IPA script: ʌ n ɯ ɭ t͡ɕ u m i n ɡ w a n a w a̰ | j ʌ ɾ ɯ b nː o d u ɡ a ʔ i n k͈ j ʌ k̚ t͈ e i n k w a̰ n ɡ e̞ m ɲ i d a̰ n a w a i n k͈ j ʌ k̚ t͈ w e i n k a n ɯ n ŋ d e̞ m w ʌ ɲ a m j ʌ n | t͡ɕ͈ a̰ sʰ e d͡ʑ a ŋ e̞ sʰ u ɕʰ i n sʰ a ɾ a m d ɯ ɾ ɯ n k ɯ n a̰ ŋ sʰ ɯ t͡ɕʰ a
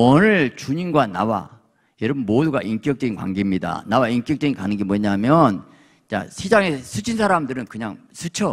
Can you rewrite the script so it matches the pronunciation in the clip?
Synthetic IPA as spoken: ʌ n ɯ ɭ t͡ɕ u ɲ i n ɡ w a n a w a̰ | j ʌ ɾ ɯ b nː o d u ɡ a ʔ i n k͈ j ʌ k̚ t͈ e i n k w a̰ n ɡ e̞ m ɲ i d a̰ n a w a i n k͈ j ʌ k̚ t͈ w e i n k a n ɯ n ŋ ɡ e̞ m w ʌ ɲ a m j ʌ n | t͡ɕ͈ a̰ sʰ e d͡ʑ a ŋ e̞ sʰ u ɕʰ i n sʰ a ɾ a m d ɯ ɾ ɯ n k ɯ ɲ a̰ ŋ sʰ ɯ t͡ɕʰ ʌ

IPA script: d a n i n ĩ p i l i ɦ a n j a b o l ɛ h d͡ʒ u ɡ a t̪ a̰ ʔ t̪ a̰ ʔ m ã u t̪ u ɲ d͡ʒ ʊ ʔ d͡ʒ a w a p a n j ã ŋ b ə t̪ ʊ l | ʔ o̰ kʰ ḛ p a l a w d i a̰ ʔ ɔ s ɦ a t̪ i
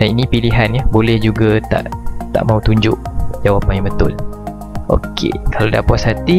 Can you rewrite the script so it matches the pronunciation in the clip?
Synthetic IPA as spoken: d a n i n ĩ p i l i ɦ a n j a b o l ɛ h d͡ʒ u ɡ a t̪ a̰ ʔ t̪ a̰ ʔ m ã u t̪ u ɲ d͡ʒ ʊ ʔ d͡ʒ a w a p a n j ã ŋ b ə t̪ ʊ l | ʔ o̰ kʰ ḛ k a l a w d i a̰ p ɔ s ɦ a t̪ i

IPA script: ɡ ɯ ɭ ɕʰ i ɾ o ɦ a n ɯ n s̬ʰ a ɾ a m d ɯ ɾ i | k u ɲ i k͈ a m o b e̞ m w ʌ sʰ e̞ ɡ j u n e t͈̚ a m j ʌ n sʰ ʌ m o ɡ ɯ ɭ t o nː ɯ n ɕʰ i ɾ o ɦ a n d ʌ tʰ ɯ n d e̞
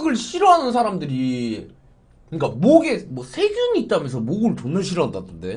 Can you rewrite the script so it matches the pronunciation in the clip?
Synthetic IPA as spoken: ɡ ɯ ɭ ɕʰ i ɾ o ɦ a n ɯ n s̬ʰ a ɾ a m d ɯ ɾ i | k ɯ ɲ i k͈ a m o ɡ e̞ m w ʌ sʰ e̞ ɡ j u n i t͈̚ a m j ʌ n sʰ ʌ m o ɡ ɯ ɭ t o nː ɯ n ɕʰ i ɾ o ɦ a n d a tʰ ɯ n d e̞

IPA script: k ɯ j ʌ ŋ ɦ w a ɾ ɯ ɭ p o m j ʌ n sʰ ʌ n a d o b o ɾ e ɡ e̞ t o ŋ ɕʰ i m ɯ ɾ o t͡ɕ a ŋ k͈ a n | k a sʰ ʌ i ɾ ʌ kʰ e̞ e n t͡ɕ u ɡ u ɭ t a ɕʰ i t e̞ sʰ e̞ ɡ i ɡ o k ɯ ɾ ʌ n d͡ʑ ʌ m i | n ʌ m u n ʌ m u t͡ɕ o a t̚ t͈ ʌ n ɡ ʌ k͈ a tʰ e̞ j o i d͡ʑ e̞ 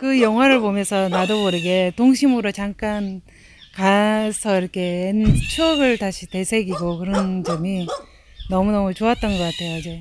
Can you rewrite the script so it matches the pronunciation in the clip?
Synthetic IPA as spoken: k ɯ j ʌ ŋ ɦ w a ɾ ɯ ɭ p o m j ʌ n sʰ ʌ n a d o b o ɾ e ɡ e̞ t o ŋ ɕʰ i m ɯ ɾ o t͡ɕ a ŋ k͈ a n | k a sʰ ʌ i ɾ ʌ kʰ e̞ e n t͡ɕʰ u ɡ ɯ ɭ t a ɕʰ i t e̞ sʰ e̞ ɡ i ɡ o k ɯ ɾ ʌ n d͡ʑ ʌ m i | n ʌ m u n ʌ m u t͡ɕ o a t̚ t͈ ʌ n ɡ ʌ k͈ a tʰ e̞ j o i d͡ʑ e̞

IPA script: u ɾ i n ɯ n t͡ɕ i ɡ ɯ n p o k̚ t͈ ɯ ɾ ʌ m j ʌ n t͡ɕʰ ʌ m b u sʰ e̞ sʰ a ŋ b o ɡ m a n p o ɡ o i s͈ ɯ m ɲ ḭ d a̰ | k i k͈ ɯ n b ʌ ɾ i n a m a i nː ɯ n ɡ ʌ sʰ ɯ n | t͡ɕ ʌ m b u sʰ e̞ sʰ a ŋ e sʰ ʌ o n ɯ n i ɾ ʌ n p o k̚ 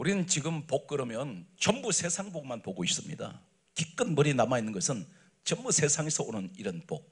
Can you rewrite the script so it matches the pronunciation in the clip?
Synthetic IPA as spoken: u ɾ i n ɯ n t͡ɕ i ɡ ɯ m p o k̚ k͈ ɯ ɾ ʌ m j ʌ n t͡ɕ ʌ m b u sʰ e̞ sʰ a ŋ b o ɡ m a n p o ɡ o i s͈ ɯ m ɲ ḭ d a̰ | k i k͈ ɯ n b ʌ ɾ i n a m a i nː ɯ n ɡ ʌ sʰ ɯ n | t͡ɕ ʌ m b u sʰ e̞ sʰ a ŋ e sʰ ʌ o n ɯ n i ɾ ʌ n p o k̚

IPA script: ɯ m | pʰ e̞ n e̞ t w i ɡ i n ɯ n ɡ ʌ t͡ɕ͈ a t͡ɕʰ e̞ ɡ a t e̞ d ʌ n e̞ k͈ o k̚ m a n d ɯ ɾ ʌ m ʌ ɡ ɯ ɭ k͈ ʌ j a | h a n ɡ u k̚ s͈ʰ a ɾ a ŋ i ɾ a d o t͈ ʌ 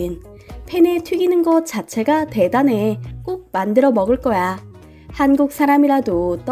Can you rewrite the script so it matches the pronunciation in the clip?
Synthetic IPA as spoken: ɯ n | pʰ e̞ n e̞ tʰ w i ɡ i n ɯ n ɡ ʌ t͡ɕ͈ a t͡ɕʰ e̞ ɡ a t e̞ d a n e̞ k͈ o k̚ m a n d ɯ ɾ ʌ m ʌ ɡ ɯ ɭ k͈ ʌ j a | h a n ɡ u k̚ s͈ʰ a ɾ a m i ɾ a d o t͈ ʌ

